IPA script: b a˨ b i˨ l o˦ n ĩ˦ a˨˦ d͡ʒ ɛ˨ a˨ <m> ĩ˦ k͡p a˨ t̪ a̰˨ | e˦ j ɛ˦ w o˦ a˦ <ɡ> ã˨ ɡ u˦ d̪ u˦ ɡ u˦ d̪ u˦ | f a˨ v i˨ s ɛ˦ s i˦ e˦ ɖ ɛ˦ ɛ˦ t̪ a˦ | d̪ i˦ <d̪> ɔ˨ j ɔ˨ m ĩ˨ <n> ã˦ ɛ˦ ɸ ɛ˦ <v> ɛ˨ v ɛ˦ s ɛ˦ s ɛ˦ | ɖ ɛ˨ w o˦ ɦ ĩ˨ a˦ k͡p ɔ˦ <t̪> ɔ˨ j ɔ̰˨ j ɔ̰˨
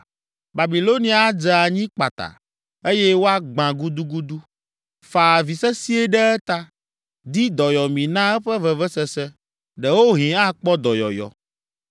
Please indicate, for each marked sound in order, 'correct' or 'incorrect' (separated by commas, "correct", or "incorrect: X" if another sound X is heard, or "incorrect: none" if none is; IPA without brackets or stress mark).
incorrect: ɲ, incorrect: ɡ͡b, correct, correct, correct, incorrect: d̪